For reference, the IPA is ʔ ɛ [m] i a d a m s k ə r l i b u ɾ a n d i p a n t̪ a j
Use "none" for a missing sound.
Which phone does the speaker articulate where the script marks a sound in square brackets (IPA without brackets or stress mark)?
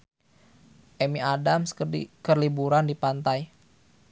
m